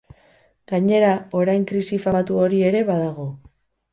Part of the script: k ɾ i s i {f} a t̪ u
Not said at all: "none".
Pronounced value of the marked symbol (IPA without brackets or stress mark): f